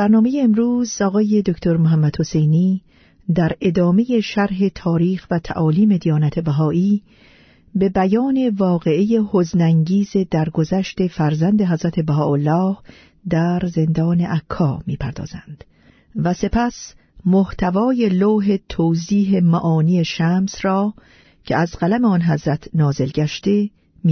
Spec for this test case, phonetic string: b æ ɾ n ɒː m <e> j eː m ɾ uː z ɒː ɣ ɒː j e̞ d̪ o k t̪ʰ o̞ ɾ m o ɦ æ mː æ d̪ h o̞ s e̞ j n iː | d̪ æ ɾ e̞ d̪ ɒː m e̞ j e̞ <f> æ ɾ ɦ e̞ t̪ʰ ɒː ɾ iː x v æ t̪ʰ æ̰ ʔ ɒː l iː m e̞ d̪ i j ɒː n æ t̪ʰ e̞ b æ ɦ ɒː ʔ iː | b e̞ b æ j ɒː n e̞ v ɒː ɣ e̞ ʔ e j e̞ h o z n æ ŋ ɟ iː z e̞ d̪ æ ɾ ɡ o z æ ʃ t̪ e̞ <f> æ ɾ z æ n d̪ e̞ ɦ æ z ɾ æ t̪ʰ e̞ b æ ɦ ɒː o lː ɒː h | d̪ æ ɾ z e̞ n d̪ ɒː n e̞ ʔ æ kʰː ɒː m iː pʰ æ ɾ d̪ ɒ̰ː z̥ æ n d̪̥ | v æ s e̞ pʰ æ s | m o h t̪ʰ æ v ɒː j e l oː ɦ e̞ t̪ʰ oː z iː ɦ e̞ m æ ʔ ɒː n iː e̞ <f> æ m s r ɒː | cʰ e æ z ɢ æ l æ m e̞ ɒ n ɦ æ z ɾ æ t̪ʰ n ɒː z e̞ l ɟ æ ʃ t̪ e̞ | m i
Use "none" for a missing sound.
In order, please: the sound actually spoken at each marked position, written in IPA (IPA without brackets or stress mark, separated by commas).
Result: e, ʃ, f, ʃ